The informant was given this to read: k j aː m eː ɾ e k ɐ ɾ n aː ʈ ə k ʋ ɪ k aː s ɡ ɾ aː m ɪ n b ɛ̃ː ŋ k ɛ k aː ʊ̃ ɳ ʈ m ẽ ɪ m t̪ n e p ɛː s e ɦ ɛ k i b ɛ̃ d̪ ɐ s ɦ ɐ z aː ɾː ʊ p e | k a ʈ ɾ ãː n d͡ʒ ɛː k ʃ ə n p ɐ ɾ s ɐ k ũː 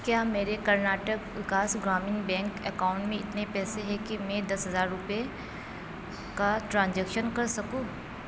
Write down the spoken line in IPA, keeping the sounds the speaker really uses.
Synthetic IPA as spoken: k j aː m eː ɾ e k ɐ ɾ n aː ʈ ə k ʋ ɪ k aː s ɡ ɾ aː m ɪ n b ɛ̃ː ŋ k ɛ k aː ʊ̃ ɳ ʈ m ẽ ɪ t̪ n e p ɛː s e ɦ ɛ k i m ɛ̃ d̪ ɐ s ɦ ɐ z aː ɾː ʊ p e | k a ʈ ɾ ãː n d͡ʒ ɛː k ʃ ə n k ɐ ɾ s ɐ k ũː

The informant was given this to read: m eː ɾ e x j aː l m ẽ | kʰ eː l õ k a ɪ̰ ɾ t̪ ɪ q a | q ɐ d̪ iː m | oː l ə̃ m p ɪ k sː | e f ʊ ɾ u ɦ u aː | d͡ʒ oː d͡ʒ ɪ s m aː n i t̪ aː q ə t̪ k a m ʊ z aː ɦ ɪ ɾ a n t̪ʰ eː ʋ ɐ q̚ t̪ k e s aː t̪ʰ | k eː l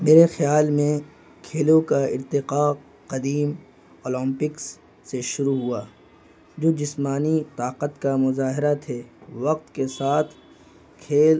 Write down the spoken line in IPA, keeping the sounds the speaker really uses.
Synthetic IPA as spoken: m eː ɾ e x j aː l m ẽ | kʰ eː l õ k a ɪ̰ ɾ t̪ ɪ q a | q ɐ d̪ iː m | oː l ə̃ m p ɪ k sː | e ʃ ʊ ɾ u ɦ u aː | d͡ʒ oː d͡ʒ ɪ s m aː n i t̪ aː q ə t̪ k a m ʊ z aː ɦ ɪ ɾ a t̪ʰ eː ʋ ɐ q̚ t̪ k e s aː t̪ʰ | kʰ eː l

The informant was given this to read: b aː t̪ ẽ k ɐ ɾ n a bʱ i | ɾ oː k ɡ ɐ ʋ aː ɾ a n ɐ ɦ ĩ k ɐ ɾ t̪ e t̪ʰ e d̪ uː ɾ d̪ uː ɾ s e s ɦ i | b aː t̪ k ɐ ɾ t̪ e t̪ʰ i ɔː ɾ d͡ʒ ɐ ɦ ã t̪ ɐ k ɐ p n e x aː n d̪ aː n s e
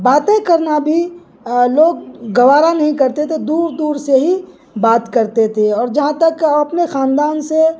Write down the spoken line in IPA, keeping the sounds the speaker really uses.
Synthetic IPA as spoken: b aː t̪ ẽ k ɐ ɾ n a bʱ i | l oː ɡ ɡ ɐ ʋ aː ɾ a n ɐ ɦ ĩ k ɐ ɾ t̪ e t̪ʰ e d̪ uː ɾ d̪ uː ɾ s e ɦ i | b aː t̪ k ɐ ɾ t̪ e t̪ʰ e ɔː ɾ d͡ʒ ɐ ɦ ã t̪ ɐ k ɐ p n e x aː n d̪ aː n s e

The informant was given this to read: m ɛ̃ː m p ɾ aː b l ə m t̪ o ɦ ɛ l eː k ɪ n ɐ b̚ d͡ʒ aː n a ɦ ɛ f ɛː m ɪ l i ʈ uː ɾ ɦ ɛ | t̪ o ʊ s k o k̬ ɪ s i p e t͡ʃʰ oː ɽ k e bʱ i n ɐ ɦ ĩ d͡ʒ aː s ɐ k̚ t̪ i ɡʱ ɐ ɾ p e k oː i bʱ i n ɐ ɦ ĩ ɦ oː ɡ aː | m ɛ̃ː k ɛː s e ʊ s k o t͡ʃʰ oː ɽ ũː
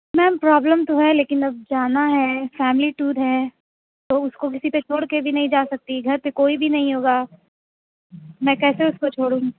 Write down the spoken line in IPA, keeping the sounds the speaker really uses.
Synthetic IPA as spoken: m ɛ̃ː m p ɾ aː b l ə m t̪ o ɦ ɛ l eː k ɪ n ɐ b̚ d͡ʒ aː n a ɦ ɛ f ɛː m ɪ l i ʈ uː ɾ ɦ ɛ | t̪ o ʊ s k o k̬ ɪ s i p e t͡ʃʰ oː ɽ k e bʱ i n ɐ ɦ ĩ d͡ʒ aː s ɐ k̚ t̪ i ɡʱ ɐ ɾ p e k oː i bʱ i n ɐ ɦ ĩ ɦ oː ɡ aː | m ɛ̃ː k ɛː s e ʊ s k o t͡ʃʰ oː ɽ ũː

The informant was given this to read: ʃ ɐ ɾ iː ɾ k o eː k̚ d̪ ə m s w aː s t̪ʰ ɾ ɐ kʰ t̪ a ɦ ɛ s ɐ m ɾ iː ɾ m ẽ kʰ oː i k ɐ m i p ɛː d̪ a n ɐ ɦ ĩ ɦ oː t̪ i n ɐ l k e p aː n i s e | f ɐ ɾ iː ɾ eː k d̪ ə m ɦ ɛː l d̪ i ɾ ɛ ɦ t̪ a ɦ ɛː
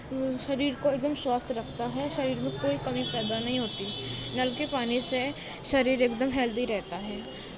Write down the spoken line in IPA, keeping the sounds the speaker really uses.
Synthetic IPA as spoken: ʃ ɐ ɾ iː ɾ k o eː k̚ d̪ ə m s w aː s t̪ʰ ɾ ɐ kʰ t̪ a ɦ ɛ ʃ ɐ ɾ iː ɾ m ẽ k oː i k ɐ m i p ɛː d̪ a n ɐ ɦ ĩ ɦ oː t̪ i n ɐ l k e p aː n i s e | ʃ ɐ ɾ iː ɾ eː k d̪ ə m ɦ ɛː l d̪ i ɾ ɛ ɦ t̪ a ɦ ɛː

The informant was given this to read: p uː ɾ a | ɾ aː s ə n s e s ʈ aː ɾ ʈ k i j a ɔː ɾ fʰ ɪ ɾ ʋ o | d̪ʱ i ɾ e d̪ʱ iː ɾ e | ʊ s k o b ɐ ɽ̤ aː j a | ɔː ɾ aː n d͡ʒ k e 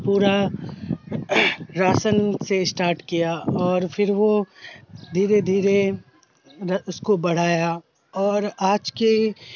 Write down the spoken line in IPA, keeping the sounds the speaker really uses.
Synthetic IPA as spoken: p uː ɾ a | ɾ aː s ə n s e s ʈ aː ɾ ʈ k i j a ɔː ɾ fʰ ɪ ɾ ʋ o | d̪ʱ iː ɾ e d̪ʱ iː ɾ e | ʊ s k o b ɐ ɽ̤ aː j a | ɔː ɾ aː d͡ʒ k e

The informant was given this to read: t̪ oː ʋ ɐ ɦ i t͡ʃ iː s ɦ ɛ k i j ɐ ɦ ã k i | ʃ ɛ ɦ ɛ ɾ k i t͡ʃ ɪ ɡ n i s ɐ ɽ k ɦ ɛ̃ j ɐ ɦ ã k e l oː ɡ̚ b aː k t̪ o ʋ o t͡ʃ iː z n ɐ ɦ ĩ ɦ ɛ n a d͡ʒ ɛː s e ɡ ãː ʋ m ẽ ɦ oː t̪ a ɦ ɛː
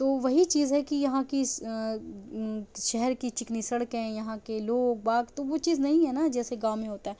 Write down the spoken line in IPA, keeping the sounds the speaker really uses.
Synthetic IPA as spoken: t̪ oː ʋ ɐ ɦ i t͡ʃ iː z ɦ ɛ k i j ɐ ɦ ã k i | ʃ ɛ ɦ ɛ ɾ k i t͡ʃ ɪ k n i s ɐ ɽ k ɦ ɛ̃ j ɐ ɦ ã k e l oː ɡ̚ b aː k t̪ o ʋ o t͡ʃ iː z n ɐ ɦ ĩ ɦ ɛ n a d͡ʒ ɛː s e ɡ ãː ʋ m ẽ ɦ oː t̪ a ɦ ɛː

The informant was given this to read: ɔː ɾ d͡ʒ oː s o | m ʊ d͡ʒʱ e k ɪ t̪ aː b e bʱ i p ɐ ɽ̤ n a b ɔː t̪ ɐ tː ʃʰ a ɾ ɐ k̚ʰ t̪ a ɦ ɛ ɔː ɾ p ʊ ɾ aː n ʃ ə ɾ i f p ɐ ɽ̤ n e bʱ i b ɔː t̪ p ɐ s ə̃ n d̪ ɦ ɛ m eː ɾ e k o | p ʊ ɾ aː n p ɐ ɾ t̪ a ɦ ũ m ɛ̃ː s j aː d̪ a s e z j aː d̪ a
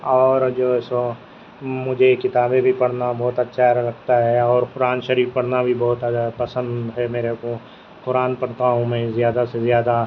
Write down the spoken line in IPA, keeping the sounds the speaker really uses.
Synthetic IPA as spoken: ɔː ɾ d͡ʒ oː s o | m ʊ d͡ʒʱ e k ɪ t̪ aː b e bʱ i p ɐ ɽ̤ n a b ɔː t̪ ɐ tː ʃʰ a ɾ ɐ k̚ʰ t̪ a ɦ ɛ ɔː ɾ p ʊ ɾ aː n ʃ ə ɾ iː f p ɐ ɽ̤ n a bʱ i b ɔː t̪ p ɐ s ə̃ n d̪ ɦ ɛ m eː ɾ e k o | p ʊ ɾ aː n p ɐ ɽ t̪ a ɦ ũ m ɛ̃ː z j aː d̪ a s e z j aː d̪ a

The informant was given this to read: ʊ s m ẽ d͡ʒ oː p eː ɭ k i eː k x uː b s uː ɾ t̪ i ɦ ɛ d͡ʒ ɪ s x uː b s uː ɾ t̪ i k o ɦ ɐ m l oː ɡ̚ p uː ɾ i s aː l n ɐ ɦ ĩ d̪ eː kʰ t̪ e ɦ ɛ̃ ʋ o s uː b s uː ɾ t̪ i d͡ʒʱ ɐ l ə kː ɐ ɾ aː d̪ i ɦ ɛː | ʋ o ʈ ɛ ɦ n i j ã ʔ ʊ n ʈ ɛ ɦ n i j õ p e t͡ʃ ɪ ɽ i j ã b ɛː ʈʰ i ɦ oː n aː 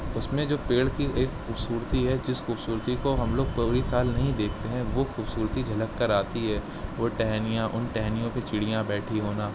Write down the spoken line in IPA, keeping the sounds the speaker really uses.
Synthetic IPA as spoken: ʊ s m ẽ d͡ʒ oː p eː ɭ k i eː k x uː b s uː ɾ t̪ i ɦ ɛ d͡ʒ ɪ s x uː b s uː ɾ t̪ i k o ɦ ɐ m l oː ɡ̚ p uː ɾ i s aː l n ɐ ɦ ĩ d̪ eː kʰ t̪ e ɦ ɛ̃ ʋ o x uː b s uː ɾ t̪ i d͡ʒʱ ɐ l ə kː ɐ ɾ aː t̪ i ɦ ɛː | ʋ o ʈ ɛ ɦ n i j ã ʔ ʊ n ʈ ɛ ɦ n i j õ p e t͡ʃ ɪ ɽ i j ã b ɛː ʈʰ i ɦ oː n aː

